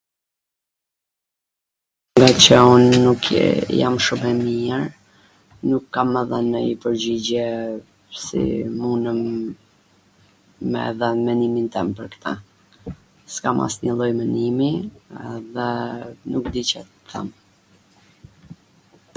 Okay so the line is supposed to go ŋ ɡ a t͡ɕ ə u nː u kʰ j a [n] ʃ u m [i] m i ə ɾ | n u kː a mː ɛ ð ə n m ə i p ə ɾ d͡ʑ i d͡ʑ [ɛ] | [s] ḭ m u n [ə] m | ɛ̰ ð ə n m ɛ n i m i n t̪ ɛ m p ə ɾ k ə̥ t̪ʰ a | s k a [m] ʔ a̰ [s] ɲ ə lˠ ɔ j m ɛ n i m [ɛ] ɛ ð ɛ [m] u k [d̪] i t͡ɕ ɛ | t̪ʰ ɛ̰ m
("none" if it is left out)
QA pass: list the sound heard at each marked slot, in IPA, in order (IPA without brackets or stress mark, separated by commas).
m, ɛ, ɛ, s, ə, m, s, i, n, d̪